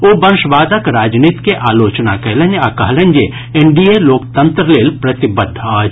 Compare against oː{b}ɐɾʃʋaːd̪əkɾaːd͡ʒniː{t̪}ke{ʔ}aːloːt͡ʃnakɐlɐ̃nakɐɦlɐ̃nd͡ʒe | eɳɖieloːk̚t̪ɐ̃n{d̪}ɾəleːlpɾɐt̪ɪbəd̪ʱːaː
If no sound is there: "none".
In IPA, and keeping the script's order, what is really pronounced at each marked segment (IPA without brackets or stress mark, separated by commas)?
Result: b, t̪, ʔ, t̪